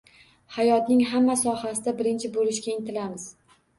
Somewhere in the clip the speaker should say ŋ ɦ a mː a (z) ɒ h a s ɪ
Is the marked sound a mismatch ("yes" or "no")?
yes